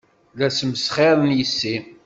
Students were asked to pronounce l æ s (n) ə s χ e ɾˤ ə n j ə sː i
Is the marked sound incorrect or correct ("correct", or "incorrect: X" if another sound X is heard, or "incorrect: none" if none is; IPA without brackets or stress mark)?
incorrect: m